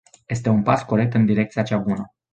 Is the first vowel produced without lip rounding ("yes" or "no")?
yes